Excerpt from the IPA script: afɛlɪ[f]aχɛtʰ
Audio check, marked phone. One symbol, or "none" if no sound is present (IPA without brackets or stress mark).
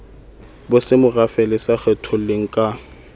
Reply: s